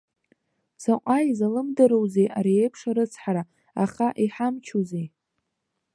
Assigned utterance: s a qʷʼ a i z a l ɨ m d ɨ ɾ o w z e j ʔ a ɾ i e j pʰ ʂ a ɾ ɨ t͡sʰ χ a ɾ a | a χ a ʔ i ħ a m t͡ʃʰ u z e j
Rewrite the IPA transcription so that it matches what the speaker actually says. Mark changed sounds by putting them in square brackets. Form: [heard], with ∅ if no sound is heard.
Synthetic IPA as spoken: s a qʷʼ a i z a l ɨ m d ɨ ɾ o w z e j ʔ a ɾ i e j pʰ ʂ a ɾ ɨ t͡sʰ [ħ] a ɾ a | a χ a ʔ i ħ a m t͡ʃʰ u z e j